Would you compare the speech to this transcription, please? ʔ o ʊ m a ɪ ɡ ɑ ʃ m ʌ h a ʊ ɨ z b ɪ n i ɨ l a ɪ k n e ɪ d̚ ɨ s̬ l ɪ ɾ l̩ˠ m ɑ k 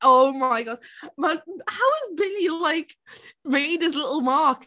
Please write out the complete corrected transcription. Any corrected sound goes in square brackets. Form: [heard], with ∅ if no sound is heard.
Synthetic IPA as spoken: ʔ o ʊ m a ɪ ɡ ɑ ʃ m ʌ h a ʊ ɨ z b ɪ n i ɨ l a ɪ k [m] e ɪ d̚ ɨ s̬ l ɪ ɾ l̩ˠ m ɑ k

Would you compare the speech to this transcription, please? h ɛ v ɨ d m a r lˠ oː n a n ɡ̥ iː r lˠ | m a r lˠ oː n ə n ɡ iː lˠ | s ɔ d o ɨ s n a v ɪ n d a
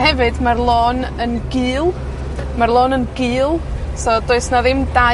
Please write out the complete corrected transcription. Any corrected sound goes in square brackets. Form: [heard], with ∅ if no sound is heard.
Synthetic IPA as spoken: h ɛ v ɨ d m a r lˠ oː n [ə] n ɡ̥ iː [∅] lˠ | m a r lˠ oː n ə n ɡ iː lˠ | s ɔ d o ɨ s n a [ð] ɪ [m] d a

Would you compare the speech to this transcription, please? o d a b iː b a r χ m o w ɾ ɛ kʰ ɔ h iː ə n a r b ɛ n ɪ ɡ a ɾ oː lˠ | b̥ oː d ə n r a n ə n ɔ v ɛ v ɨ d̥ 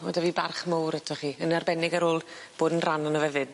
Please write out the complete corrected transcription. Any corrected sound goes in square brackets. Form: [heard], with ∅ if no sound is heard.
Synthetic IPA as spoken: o d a [v] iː b a r χ m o w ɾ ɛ [tʰ] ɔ [χ] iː ə n a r b ɛ n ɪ ɡ a ɾ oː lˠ | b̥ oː d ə n r a n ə n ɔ v ɛ v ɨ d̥

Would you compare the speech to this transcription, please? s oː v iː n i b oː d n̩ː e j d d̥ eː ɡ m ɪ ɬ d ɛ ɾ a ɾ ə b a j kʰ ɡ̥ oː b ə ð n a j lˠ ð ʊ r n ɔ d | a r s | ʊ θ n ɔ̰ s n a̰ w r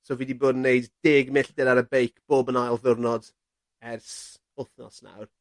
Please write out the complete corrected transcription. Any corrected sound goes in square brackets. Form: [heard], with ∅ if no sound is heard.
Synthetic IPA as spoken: s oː v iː [d] i b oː d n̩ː e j d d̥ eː ɡ m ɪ ɬ d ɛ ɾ a ɾ ə b [e] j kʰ [b̥] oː b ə [∅] n a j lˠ ð ʊ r n ɔ d | [ɛ] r s | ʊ θ n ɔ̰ s n a̰ w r

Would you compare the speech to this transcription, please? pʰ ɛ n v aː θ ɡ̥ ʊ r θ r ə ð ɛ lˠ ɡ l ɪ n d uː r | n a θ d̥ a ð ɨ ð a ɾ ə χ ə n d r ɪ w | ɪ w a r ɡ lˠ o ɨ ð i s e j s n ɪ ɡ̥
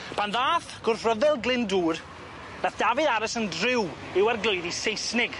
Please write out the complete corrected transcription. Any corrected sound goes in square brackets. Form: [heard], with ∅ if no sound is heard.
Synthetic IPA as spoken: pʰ [a] n [ð] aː θ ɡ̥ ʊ r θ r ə ð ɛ lˠ ɡ l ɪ n d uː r | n a θ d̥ a [v] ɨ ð a ɾ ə [s] ə n d r ɪ w | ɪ w a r ɡ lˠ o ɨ ð i s e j s n ɪ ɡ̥

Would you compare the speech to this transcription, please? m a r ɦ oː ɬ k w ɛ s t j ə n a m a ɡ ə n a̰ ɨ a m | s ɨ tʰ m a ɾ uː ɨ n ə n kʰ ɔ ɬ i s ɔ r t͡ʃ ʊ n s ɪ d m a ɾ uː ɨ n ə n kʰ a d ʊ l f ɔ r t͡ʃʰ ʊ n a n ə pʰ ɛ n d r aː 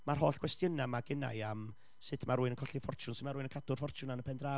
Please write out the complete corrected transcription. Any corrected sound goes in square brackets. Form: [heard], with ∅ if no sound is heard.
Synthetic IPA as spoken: m a r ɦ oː ɬ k w ɛ s t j ə n a m a ɡ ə n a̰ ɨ a m | s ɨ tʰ m a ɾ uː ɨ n ə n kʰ ɔ ɬ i [f] ɔ r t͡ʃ ʊ n s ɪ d m a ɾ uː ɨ n ə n kʰ a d ʊ [r] f ɔ r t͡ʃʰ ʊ n a n ə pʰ ɛ n d r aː

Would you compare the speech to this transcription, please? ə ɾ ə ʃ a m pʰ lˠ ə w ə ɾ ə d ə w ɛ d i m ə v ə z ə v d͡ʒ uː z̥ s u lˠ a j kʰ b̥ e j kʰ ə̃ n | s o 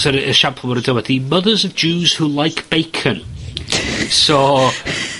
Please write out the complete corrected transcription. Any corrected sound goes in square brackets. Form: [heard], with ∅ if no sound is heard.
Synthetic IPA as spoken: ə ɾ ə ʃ a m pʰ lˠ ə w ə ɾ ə d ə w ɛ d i m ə [ð] ə z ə v d͡ʒ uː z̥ [h] u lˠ a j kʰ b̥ e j kʰ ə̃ n | s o

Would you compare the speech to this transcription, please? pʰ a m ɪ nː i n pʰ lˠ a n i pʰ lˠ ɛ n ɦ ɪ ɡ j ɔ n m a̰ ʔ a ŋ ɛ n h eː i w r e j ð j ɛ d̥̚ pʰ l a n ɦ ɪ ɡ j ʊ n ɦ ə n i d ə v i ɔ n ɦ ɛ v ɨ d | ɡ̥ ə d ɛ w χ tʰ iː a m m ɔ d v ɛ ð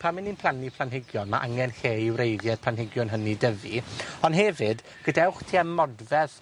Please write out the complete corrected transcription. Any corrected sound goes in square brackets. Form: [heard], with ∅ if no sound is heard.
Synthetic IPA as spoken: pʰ a m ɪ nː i n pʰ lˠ a n i pʰ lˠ [a] n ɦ ɪ ɡ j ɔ n m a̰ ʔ a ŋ ɛ n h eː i w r e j ð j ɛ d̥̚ pʰ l a n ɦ ɪ ɡ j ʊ n ɦ ə n i d ə v i ɔ n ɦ ɛ v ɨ d | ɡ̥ ə d ɛ w χ tʰ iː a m m ɔ d v ɛ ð

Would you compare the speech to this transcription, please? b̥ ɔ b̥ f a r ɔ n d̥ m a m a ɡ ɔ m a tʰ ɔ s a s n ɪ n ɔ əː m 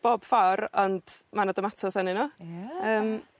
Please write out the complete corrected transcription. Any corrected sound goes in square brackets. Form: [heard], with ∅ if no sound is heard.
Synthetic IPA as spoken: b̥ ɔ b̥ f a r ɔ n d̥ m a [n] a [d] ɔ m a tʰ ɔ s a [∅] n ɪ n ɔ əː m

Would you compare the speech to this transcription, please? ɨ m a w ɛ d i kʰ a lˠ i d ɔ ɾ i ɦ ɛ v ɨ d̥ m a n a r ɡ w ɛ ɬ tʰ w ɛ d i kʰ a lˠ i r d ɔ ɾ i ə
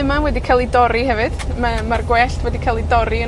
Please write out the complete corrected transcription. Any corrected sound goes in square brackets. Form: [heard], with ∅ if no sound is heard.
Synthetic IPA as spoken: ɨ m a w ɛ d i kʰ a lˠ i d ɔ ɾ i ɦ ɛ v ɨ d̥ m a [m] a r ɡ w ɛ ɬ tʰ w ɛ d i kʰ a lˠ i [∅] d ɔ ɾ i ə

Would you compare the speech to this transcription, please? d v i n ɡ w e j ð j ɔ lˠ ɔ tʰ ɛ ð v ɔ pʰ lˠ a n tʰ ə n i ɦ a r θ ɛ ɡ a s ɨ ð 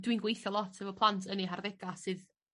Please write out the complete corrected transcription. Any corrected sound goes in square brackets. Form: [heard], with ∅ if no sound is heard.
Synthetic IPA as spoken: d [w] i n ɡ w e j [θ] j ɔ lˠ ɔ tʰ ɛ [∅] v ɔ pʰ lˠ a n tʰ ə n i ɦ a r [ð] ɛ ɡ a s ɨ ð

